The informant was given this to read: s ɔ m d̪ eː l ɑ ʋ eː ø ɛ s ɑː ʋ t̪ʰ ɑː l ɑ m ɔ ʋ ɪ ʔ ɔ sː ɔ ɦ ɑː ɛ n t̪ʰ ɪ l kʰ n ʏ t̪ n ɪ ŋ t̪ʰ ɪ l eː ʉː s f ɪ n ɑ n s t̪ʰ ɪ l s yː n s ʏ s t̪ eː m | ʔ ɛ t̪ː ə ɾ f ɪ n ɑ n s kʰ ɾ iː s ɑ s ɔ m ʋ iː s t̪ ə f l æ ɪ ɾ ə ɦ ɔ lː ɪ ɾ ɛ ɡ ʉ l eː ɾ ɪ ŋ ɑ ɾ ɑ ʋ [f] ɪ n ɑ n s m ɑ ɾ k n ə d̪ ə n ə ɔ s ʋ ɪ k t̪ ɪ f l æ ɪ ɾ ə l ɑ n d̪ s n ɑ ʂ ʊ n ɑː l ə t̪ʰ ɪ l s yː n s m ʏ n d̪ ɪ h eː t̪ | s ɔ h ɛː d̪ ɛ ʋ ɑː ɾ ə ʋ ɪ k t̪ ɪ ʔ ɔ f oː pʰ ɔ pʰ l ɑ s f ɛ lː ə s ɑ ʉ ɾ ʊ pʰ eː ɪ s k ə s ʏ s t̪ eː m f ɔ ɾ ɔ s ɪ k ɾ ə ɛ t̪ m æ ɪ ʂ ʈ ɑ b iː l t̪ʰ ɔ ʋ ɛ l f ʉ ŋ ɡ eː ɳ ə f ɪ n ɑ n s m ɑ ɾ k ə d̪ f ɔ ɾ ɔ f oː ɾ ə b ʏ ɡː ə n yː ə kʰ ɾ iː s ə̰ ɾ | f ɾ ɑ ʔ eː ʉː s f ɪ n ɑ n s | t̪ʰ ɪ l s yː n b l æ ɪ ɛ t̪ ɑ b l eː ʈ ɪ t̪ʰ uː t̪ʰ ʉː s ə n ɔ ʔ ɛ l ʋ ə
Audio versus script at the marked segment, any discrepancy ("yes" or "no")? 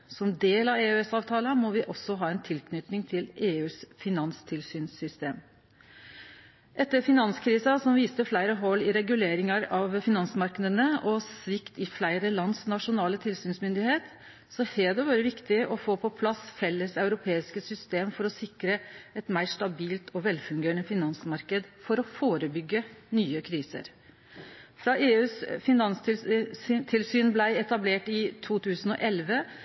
no